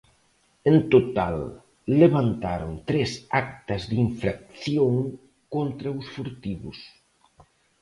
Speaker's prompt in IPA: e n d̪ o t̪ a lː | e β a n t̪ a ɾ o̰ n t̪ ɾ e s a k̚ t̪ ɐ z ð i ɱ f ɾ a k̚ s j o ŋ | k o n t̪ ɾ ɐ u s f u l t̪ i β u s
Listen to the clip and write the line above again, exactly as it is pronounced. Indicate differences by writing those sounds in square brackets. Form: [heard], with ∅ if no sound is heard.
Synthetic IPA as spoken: e n [t̪] o t̪ a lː | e β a n t̪ a ɾ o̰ n t̪ ɾ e s a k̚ t̪ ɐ z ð i ɱ f ɾ a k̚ [θ] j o ŋ | k o n t̪ ɾ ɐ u s f u [ɾ] t̪ i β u s